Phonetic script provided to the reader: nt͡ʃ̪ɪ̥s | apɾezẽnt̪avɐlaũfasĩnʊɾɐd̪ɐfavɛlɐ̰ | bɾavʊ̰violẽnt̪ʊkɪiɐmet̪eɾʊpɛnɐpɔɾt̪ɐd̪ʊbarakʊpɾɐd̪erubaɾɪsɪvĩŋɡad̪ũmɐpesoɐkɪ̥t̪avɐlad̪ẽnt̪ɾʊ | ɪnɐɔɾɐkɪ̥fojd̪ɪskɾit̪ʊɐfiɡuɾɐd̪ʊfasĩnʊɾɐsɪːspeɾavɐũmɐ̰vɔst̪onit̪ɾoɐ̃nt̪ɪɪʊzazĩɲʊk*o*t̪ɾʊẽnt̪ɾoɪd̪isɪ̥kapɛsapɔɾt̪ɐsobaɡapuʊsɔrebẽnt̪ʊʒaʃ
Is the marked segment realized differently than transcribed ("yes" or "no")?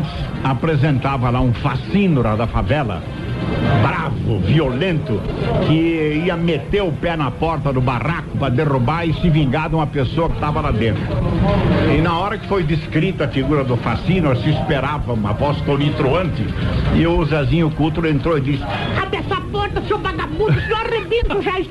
yes